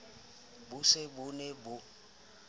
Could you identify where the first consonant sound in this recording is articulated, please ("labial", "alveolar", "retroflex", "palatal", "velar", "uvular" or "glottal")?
labial